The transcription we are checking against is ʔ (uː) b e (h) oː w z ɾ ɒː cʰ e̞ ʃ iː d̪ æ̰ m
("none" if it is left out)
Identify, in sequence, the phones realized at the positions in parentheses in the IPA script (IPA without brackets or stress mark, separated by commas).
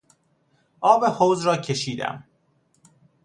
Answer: ɒː, h